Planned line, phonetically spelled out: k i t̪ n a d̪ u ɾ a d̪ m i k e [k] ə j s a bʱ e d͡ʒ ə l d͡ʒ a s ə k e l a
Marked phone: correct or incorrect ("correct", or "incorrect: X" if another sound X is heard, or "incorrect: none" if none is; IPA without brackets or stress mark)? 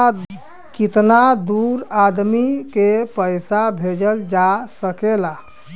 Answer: incorrect: p